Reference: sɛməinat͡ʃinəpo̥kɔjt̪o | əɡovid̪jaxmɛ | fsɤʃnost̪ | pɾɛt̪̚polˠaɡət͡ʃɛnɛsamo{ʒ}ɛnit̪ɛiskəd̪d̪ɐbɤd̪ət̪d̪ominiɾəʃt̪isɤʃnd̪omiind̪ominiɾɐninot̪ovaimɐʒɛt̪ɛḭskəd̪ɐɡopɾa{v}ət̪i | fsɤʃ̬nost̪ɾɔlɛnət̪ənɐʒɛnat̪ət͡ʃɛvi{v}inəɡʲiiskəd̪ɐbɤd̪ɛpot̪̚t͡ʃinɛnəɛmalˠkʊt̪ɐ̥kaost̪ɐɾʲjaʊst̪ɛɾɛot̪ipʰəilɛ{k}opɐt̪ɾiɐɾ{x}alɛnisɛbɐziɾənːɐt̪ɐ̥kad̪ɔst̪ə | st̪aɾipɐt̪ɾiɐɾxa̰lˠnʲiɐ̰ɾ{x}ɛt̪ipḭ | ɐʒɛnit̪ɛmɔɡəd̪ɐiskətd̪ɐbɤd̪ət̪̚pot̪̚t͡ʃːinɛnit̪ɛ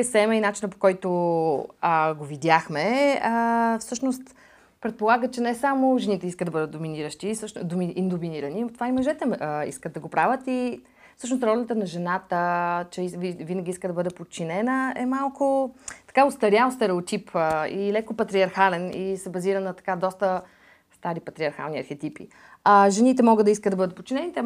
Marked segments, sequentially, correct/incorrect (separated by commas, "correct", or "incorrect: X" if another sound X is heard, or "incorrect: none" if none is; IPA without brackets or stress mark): correct, correct, correct, correct, correct, correct